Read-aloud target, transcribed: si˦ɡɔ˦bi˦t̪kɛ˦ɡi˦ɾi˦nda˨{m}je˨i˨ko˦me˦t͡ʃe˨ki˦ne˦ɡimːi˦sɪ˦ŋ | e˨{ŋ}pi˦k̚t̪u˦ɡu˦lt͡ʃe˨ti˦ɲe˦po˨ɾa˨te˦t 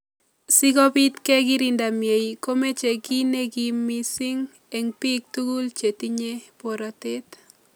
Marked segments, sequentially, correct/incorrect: correct, correct

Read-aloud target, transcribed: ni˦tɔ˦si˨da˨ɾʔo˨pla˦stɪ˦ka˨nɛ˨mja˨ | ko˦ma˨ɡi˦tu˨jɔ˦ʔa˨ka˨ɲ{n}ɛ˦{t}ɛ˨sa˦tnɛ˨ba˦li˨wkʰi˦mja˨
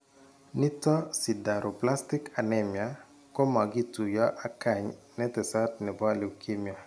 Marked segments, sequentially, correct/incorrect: correct, correct

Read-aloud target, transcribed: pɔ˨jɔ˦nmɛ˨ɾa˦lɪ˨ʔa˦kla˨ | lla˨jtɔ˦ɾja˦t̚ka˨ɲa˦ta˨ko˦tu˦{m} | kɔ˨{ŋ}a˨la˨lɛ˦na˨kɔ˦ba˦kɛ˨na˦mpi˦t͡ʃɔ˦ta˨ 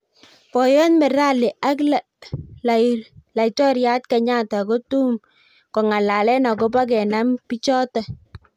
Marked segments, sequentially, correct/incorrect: correct, correct

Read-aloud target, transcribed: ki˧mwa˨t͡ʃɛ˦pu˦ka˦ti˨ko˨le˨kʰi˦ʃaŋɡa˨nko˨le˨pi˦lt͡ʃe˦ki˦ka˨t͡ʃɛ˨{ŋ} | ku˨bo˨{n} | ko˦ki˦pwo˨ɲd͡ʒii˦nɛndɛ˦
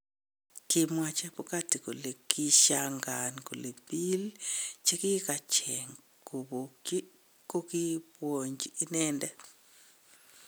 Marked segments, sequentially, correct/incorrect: correct, incorrect

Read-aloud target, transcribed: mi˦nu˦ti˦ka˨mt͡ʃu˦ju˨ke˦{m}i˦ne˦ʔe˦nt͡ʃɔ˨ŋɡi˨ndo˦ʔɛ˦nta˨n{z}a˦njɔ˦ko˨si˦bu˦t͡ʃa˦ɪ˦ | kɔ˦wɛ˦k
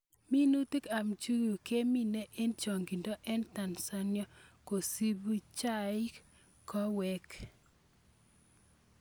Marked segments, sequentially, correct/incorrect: correct, incorrect

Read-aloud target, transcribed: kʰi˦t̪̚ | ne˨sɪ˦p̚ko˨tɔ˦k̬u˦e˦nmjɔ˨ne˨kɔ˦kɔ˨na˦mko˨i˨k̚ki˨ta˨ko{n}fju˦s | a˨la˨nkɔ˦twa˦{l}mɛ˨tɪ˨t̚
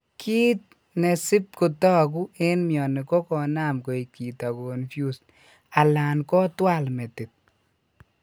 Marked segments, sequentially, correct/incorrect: correct, correct

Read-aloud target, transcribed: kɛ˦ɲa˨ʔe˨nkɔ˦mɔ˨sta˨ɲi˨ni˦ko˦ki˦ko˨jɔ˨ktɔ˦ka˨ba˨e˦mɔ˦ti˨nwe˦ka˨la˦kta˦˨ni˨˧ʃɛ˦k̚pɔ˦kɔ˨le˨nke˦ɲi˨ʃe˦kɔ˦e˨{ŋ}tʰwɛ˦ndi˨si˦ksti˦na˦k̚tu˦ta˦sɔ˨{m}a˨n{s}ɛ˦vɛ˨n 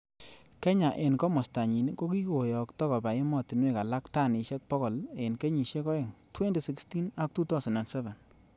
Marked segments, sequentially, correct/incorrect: correct, incorrect, correct

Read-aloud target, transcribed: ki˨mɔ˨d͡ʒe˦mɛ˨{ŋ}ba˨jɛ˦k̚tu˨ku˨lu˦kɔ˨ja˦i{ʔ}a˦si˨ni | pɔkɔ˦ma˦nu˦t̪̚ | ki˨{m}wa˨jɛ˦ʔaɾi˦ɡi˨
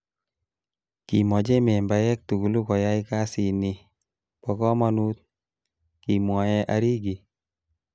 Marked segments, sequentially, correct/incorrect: incorrect, incorrect, correct

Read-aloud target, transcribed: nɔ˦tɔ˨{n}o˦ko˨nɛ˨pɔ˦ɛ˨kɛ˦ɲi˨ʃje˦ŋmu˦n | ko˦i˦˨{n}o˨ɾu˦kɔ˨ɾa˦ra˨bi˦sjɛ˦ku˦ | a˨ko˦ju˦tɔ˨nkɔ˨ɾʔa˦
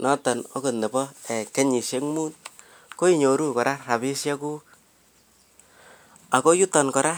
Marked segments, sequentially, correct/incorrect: correct, incorrect

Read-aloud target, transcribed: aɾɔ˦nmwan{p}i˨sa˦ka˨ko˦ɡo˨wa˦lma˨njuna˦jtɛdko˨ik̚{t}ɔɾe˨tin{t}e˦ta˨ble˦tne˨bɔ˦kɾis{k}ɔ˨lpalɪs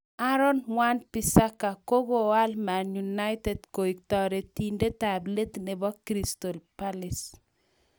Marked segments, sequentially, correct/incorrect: correct, correct, incorrect, incorrect

